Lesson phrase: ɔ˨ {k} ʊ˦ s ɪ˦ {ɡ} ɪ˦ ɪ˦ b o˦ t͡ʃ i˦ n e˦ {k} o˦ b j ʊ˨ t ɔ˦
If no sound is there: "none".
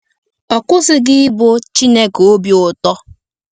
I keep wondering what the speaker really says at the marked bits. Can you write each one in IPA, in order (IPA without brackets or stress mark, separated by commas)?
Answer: k, ɡ, k